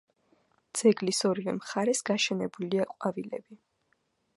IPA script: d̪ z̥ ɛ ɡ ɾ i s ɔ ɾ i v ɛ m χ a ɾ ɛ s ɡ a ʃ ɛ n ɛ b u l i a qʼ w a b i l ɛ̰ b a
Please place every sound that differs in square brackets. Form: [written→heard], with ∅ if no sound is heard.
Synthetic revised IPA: d̪ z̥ ɛ ɡ [ɾ→l] i s ɔ ɾ i v ɛ m χ a ɾ ɛ s ɡ a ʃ ɛ n ɛ b u l i a qʼ w a [b→v] i l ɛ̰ b [a→i]